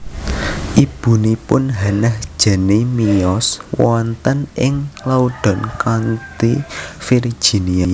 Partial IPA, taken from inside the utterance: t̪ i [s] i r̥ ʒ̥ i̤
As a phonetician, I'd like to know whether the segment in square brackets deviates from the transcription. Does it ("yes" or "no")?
yes